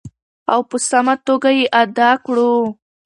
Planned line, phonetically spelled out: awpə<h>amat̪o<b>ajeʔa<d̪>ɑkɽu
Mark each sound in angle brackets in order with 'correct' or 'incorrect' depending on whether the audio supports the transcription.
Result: incorrect: s, incorrect: ɡ, correct

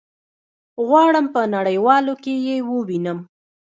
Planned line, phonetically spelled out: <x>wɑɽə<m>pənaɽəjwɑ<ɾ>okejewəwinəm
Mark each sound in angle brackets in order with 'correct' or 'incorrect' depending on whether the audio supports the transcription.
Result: incorrect: ɣ, correct, incorrect: l

